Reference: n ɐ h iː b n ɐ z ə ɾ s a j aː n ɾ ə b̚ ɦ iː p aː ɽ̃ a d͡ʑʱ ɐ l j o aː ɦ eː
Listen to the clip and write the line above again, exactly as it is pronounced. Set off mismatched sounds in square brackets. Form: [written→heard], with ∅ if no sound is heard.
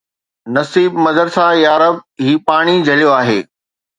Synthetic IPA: n ɐ [h→s] iː b [n→m] ɐ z ə ɾ s a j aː [n→∅] ɾ ə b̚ ɦ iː p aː ɽ̃ [a→i] d͡ʑʱ ɐ l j o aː ɦ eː